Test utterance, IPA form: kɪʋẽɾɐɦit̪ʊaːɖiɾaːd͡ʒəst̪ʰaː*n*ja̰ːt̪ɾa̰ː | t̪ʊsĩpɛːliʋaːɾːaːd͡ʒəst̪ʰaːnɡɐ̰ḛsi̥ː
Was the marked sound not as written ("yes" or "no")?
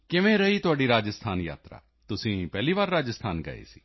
no